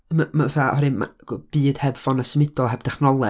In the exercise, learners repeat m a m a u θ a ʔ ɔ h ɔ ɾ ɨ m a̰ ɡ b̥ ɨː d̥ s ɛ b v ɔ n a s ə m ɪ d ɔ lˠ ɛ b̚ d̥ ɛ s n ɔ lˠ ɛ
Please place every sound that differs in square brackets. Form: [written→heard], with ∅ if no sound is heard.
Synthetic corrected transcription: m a m a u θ a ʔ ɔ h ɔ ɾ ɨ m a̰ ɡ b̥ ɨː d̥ [s→h] ɛ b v ɔ n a s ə m ɪ d ɔ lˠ ɛ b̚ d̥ ɛ [s→χ] n ɔ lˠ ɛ